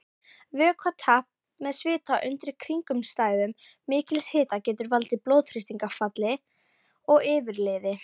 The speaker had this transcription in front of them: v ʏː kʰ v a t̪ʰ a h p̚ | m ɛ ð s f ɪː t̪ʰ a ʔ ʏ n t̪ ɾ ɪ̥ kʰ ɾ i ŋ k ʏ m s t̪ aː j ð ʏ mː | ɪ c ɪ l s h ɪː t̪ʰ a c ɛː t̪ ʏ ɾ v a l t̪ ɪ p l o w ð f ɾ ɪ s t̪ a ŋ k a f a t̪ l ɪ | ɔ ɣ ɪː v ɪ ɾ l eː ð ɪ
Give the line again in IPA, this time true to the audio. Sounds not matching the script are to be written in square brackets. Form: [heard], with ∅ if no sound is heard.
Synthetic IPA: v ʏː kʰ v a t̪ʰ a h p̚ | m ɛ ð s [v] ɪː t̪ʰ a ʔ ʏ n t̪ ɾ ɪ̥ kʰ ɾ i ŋ k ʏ m s t̪ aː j ð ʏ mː | [ɪː] c ɪ l s h ɪː [t̪] a c ɛː t̪ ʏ ɾ v a l t̪ ɪ p l o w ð f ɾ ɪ s t̪ [i] ŋ k a f a t̪ l ɪ | ɔ ɣ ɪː v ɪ ɾ l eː ð ɪ